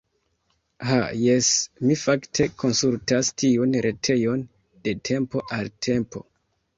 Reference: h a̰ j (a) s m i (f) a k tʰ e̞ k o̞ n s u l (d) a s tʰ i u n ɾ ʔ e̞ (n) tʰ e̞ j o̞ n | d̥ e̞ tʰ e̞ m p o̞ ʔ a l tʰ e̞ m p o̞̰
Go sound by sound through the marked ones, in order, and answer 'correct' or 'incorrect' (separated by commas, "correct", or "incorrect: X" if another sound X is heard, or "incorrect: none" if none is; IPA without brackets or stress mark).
incorrect: e, correct, incorrect: t, incorrect: none